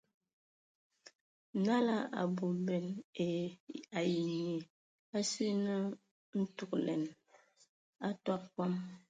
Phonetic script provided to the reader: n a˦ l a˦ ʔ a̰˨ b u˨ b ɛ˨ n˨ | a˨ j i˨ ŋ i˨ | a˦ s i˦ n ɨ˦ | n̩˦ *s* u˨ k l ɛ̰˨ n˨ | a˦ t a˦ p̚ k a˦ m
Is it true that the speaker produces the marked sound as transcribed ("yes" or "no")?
no